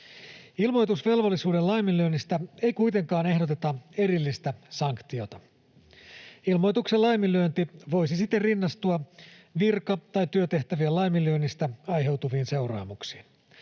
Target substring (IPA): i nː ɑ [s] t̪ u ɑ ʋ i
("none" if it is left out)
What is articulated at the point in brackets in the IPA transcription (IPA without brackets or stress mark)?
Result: s